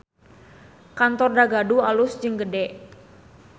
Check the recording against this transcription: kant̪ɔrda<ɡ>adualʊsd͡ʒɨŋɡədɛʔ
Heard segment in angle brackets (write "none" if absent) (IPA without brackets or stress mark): ɡ